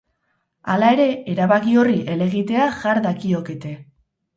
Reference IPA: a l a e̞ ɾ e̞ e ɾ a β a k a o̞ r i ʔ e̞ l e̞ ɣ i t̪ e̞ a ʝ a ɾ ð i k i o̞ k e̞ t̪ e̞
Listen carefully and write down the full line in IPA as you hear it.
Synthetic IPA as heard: a l a e̞ ɾ e̞ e ɾ a β a k i o̞ r i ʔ e̞ l e̞ ɣ i t̪ e̞ a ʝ a ɾ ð a k i o̞ k e̞ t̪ e̞